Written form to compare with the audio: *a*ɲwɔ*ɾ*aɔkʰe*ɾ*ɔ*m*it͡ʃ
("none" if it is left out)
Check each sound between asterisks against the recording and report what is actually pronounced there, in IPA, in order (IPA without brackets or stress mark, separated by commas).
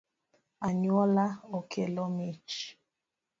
a, l, l, m